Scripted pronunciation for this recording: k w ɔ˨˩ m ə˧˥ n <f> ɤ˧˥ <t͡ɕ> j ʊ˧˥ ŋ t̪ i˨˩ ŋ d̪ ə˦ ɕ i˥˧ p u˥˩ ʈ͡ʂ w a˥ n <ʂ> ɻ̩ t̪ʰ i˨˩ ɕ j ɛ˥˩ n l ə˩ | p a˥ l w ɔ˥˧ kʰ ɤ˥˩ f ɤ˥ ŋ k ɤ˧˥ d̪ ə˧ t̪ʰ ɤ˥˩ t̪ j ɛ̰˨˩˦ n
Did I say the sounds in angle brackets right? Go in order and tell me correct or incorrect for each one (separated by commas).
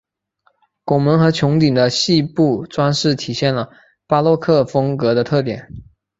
incorrect, incorrect, correct